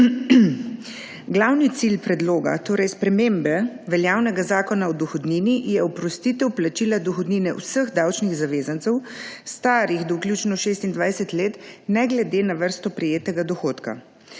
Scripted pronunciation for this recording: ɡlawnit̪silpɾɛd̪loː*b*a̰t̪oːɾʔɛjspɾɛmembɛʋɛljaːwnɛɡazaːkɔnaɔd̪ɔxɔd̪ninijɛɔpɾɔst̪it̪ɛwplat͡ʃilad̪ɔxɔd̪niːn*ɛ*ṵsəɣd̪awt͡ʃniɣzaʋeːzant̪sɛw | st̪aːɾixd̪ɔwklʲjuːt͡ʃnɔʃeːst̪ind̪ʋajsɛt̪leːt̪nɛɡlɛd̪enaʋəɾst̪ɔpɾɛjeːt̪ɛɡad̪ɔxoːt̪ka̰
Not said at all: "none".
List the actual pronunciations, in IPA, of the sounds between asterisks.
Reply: ɡ, ɛ

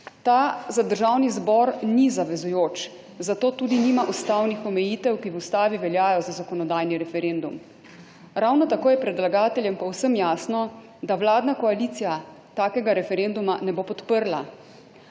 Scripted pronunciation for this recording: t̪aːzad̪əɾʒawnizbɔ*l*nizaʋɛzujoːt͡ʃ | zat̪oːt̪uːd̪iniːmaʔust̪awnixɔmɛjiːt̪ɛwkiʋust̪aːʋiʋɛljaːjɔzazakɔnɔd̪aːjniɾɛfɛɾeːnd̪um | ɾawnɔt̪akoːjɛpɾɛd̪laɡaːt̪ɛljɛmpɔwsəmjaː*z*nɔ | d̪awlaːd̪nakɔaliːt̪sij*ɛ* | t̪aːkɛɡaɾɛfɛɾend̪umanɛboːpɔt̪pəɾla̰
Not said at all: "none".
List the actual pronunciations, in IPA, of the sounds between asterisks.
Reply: ɾ, s, a

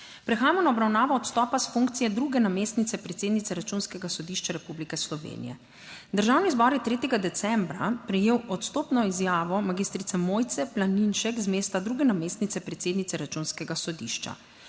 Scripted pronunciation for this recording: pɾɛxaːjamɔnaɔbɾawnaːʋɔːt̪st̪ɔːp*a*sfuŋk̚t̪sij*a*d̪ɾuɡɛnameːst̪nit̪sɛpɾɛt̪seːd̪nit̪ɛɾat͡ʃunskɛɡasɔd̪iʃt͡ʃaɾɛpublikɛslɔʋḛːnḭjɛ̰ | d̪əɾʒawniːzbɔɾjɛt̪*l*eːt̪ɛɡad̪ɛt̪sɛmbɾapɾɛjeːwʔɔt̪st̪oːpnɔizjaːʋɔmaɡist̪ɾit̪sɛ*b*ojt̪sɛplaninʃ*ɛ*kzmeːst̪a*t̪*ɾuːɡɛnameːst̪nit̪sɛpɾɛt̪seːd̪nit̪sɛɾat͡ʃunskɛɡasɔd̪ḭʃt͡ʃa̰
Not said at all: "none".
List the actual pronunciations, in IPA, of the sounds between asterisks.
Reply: a, ɛ, ɾ, m, ɛ, d̪

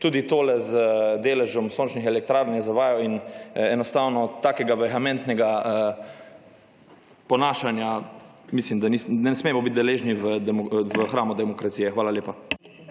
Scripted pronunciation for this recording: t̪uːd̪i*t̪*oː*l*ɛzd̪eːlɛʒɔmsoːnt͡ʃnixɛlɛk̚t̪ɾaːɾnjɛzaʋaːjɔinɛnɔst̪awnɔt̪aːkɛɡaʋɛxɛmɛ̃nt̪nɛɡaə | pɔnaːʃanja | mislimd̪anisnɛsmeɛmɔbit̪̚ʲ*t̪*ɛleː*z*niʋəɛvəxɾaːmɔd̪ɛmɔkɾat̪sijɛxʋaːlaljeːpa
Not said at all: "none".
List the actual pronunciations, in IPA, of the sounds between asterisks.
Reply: t̪, l, d̪, ʒ

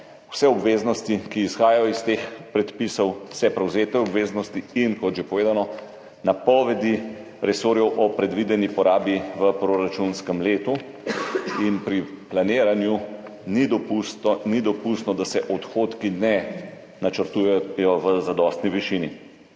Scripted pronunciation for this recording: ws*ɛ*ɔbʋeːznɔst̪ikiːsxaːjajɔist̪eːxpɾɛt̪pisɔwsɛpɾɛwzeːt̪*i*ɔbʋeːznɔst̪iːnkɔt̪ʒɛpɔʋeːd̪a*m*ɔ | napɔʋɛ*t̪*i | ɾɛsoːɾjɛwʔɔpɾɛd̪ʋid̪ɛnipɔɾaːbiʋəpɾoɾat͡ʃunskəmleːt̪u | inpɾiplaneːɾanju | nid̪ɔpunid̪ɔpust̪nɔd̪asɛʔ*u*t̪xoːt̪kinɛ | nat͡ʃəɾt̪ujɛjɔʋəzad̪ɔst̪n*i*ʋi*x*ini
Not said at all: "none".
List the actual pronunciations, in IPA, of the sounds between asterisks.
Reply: ɛ, ɛ, n, d̪, ɔ, i, ʃ

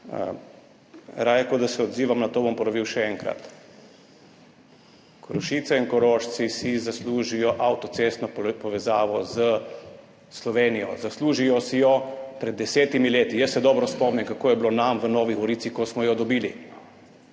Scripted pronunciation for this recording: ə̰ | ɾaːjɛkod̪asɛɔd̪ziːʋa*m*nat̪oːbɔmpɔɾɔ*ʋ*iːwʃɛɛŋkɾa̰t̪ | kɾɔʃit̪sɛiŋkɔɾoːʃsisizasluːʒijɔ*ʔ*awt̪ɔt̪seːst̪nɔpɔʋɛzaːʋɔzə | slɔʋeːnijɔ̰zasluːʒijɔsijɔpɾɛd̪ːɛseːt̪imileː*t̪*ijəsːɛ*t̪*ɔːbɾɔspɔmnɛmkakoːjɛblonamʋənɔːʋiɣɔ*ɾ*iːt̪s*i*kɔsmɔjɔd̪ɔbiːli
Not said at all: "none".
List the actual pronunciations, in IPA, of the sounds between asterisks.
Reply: m, ʋ, ʔ, t̪, d̪, ɾ, i

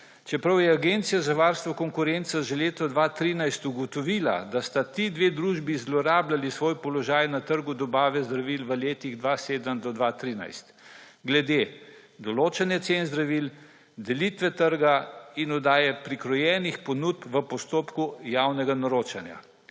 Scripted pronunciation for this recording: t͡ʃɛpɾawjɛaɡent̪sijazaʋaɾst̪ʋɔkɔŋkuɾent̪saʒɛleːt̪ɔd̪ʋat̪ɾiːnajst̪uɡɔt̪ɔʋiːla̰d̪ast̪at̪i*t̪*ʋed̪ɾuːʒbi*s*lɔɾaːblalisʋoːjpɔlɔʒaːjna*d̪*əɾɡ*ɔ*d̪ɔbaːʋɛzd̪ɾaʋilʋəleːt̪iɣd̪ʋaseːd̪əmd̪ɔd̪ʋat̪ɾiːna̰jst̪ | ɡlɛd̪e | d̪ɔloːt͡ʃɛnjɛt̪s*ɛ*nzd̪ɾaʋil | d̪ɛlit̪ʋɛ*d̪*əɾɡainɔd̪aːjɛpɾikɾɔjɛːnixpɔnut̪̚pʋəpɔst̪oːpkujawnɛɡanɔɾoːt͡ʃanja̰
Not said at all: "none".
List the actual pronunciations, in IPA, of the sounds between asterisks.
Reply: d̪, z, t̪, u, e, t̪

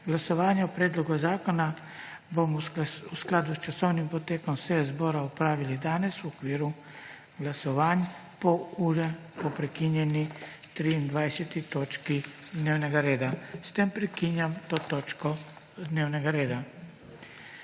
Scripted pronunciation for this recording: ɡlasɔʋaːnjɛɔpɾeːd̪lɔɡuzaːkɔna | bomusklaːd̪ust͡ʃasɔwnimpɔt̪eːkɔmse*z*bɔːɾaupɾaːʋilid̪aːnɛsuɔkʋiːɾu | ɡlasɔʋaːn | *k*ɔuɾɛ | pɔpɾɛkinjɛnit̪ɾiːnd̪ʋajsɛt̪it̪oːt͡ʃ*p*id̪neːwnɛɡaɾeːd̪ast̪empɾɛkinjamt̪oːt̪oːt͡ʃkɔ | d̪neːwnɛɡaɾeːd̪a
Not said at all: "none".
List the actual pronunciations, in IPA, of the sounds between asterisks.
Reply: z, p, k

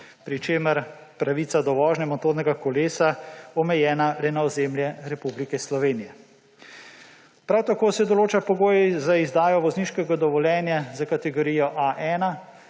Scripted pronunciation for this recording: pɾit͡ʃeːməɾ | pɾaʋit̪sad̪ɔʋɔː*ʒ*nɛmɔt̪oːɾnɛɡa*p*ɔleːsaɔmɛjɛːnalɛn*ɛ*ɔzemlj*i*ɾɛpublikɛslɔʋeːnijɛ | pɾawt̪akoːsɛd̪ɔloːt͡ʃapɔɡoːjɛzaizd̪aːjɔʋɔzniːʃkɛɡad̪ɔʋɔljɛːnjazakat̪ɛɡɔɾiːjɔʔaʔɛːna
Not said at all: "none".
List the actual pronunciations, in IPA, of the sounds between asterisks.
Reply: ʒ, k, a, ɛ

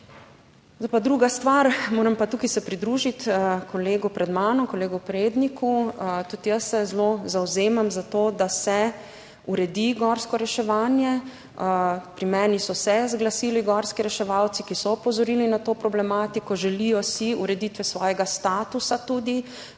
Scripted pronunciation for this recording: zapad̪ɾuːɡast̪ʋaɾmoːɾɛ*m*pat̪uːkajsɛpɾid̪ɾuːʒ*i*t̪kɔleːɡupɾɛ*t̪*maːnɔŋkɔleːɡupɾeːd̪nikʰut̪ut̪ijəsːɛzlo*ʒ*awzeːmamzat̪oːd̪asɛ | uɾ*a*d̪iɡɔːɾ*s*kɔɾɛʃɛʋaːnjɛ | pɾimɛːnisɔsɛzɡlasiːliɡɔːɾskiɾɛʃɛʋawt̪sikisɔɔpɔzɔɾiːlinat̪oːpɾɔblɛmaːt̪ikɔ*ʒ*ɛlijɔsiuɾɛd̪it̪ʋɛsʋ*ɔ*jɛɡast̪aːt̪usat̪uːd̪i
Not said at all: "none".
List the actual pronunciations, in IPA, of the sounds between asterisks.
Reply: m, i, d̪, z, ɛ, s, ʒ, ɔː

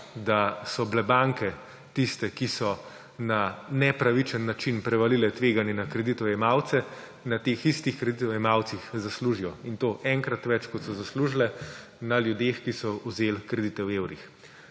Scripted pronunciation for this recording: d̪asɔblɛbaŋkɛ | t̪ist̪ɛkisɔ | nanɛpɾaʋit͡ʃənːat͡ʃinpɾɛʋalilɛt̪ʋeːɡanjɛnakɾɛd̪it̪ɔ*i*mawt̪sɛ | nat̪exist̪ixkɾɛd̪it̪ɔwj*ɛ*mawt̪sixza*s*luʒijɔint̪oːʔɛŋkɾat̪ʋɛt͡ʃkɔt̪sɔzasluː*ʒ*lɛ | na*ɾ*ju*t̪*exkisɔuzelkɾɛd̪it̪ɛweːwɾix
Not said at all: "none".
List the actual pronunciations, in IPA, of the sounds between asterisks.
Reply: ɛ, ɛ, s, ʒ, l, d̪

